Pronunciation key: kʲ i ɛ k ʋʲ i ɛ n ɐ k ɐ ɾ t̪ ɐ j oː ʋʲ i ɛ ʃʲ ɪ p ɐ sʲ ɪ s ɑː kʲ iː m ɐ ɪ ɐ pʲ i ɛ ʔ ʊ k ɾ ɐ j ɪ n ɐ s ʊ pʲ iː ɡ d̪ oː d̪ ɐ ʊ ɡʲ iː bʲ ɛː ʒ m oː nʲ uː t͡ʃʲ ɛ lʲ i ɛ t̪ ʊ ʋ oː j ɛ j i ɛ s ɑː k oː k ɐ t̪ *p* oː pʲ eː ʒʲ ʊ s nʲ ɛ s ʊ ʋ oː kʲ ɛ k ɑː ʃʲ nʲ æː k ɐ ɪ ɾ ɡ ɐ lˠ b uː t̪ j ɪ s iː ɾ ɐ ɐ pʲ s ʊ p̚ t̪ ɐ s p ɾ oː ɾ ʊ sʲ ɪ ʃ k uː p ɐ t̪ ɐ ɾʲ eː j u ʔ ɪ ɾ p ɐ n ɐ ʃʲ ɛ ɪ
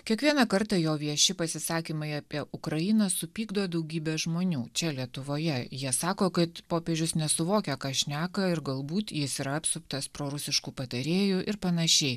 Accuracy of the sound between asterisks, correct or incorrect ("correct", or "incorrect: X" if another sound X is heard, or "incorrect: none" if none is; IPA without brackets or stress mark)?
correct